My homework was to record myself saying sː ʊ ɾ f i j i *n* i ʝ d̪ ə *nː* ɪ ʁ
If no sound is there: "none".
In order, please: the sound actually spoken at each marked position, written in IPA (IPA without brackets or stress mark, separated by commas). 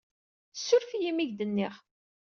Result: m, nː